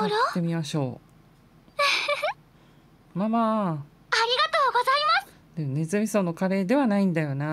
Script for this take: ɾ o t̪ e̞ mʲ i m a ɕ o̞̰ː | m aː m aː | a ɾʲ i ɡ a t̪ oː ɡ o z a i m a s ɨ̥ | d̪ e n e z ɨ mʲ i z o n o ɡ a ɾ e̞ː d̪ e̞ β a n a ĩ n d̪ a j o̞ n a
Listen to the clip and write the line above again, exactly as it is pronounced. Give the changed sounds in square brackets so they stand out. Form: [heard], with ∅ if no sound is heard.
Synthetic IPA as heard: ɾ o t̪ e̞ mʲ i m a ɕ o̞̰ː | m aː m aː | a ɾʲ i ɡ a t̪ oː ɡ o z a i m a s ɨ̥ | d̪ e n e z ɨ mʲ i [s] o n o [k] a ɾ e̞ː d̪ e̞ β a n a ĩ n d̪ a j o̞ n a